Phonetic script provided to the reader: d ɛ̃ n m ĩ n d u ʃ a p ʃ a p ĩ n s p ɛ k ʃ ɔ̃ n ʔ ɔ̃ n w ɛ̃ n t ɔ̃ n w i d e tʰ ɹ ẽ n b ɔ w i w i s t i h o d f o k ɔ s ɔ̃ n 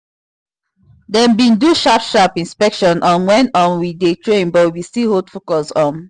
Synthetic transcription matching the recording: d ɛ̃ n b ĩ n d u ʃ a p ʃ a p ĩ n s p ɛ k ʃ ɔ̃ n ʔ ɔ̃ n w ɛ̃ n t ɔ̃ n w i d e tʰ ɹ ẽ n b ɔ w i w i s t i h o d f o k ɔ s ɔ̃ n